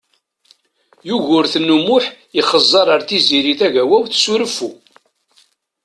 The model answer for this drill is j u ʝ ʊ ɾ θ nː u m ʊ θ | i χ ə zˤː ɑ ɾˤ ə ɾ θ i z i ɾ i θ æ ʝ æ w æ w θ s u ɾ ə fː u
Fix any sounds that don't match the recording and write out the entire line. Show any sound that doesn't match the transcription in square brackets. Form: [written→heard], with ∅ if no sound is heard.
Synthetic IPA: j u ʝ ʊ ɾ θ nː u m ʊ [θ→ħ] | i χ ə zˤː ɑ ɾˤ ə ɾ θ i z i ɾ i θ æ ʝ æ w æ w θ s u ɾ ə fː u